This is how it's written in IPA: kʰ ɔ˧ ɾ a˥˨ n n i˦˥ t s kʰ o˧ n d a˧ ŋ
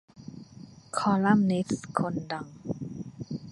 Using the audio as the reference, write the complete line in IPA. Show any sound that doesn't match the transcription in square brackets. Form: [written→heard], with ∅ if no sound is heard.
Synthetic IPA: kʰ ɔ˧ [ɾ→l] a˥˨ [n→m] n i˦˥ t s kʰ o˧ n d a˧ ŋ